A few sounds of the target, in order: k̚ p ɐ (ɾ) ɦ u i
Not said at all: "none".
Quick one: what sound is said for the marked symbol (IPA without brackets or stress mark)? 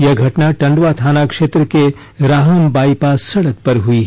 ɾ